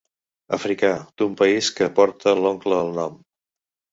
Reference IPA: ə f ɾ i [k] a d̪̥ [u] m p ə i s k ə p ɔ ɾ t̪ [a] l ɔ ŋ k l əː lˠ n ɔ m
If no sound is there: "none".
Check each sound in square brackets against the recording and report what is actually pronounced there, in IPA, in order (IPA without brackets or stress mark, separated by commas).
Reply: k, u, ə